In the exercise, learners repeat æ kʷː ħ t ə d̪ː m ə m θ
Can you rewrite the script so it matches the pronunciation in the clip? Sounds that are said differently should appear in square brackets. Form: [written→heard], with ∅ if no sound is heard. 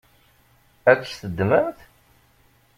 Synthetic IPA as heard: æ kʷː [ħ→s] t ə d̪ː m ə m θ